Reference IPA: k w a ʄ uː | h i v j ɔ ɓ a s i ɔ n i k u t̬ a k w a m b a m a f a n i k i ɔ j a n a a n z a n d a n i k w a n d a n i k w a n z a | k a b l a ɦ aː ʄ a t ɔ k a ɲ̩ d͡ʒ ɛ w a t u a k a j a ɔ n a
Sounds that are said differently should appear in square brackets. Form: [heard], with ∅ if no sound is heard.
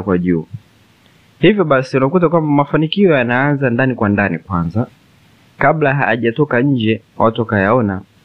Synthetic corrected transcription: k w a ʄ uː | h i v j ɔ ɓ a s i [u] n [a] k u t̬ a k w a m b a m a f a n i k i ɔ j a n a a n z a n d a n i k w a n d a n i k w a n z a | k a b l a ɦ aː ʄ a t ɔ k a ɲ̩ d͡ʒ ɛ w a t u a k a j a ɔ n a